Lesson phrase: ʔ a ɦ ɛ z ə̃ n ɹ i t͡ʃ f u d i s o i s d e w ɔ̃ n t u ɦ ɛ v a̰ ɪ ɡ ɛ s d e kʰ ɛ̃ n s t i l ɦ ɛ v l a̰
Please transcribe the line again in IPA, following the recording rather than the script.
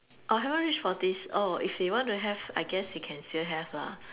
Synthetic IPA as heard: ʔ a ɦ ɛ v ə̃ n ɹ i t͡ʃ f ɔ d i s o i f d e w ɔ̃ n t u ɦ ɛ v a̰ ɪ ɡ ɛ s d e kʰ ɛ̃ n s t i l ɦ ɛ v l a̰